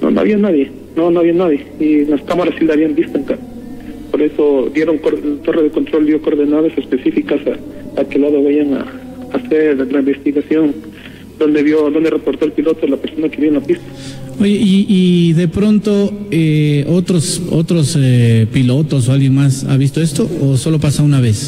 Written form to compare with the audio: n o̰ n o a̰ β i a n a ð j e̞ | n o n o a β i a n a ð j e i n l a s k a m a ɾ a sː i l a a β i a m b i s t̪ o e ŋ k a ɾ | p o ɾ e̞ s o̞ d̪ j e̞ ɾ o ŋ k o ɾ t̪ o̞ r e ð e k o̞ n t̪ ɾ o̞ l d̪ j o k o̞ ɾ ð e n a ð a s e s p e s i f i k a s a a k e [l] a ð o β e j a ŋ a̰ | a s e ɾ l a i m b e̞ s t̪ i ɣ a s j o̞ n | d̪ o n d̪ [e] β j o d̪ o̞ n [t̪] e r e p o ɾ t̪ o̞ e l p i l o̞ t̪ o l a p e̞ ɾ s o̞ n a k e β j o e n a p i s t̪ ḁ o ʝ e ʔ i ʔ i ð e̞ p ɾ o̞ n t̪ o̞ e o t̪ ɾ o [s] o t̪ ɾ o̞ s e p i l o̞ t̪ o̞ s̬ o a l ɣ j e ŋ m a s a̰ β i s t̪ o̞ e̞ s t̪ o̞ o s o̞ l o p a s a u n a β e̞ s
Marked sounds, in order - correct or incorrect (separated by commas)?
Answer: correct, correct, incorrect, correct